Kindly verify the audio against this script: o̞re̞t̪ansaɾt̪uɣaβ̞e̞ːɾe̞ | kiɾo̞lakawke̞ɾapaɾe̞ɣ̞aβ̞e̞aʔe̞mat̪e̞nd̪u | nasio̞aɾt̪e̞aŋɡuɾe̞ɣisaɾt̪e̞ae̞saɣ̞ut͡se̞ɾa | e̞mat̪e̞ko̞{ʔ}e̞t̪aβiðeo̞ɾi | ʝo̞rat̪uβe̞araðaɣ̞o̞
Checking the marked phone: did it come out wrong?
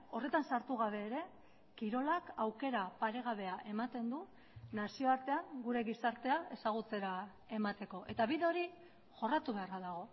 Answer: no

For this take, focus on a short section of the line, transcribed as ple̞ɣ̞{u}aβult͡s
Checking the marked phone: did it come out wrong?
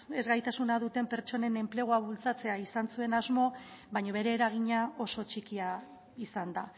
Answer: yes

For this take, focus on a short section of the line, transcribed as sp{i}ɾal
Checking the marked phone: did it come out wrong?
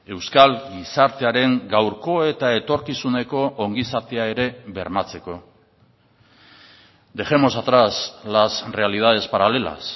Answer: yes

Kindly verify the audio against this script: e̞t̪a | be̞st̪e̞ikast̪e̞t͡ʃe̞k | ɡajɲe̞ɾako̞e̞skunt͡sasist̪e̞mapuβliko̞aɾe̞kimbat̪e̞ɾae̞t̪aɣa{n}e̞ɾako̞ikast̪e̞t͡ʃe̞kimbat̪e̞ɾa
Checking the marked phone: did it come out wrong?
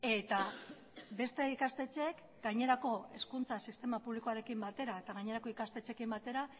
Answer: yes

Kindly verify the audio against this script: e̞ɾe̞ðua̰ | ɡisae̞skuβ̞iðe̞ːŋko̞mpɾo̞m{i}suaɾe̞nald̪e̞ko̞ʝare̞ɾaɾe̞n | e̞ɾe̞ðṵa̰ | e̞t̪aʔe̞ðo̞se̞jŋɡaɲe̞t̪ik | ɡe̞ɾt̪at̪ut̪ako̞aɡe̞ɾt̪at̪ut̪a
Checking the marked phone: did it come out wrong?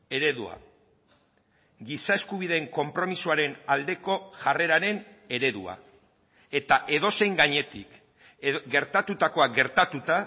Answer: no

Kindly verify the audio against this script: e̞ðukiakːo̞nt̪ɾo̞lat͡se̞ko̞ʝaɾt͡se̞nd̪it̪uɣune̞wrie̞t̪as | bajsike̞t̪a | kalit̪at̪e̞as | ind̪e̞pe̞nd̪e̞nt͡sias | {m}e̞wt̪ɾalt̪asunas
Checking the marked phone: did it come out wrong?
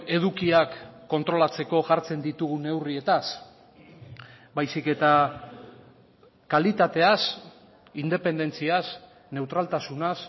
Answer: yes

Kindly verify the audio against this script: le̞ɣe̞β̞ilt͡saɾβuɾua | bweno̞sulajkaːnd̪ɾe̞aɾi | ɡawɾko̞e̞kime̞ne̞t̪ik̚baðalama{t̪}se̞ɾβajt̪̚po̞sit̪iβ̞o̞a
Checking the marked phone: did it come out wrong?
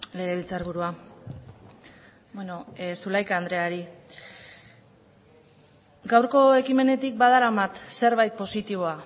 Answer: no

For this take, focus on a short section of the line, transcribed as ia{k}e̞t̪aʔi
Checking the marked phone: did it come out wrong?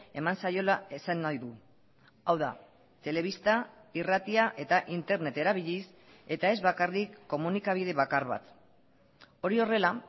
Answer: yes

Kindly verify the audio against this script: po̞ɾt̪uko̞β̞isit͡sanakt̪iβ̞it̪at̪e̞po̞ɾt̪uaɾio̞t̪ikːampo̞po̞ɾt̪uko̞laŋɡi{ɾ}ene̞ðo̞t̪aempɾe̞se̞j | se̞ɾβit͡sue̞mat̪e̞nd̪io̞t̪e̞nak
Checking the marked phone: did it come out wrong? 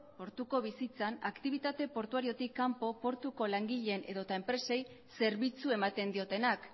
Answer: yes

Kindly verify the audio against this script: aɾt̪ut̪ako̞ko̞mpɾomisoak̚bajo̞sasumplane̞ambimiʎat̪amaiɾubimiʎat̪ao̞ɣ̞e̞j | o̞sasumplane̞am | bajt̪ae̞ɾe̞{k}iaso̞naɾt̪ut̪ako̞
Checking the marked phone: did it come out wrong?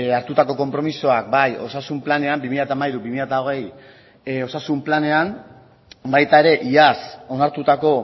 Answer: yes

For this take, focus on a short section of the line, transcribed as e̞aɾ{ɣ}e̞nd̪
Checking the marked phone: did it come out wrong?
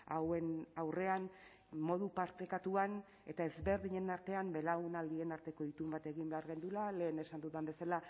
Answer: no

